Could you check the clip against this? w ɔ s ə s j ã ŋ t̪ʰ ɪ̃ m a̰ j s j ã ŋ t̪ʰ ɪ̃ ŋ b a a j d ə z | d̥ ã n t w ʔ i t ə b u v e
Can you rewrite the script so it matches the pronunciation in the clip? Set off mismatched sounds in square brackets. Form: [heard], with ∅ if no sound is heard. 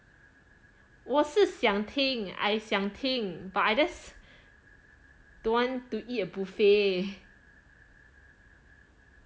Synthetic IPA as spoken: w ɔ s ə s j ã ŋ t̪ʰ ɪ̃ [ŋ] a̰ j s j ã ŋ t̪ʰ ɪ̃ ŋ b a a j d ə [s] | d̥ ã n t [u] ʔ i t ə b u [f] e